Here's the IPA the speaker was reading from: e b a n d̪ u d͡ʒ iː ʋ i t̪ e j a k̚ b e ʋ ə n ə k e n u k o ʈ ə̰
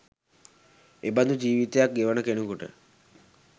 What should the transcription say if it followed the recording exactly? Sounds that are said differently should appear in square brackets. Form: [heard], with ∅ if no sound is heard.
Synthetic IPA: e b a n d̪ u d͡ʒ iː ʋ i t̪ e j a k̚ [ɡ] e ʋ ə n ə k e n u k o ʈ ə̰